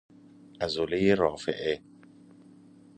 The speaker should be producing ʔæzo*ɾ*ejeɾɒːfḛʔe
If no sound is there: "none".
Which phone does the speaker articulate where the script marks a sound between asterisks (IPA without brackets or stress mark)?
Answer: l